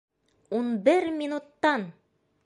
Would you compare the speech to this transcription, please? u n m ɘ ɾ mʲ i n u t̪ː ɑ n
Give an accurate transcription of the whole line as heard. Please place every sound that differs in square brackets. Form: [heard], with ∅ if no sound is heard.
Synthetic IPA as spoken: u n [b] ɘ ɾ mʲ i n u t̪ː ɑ n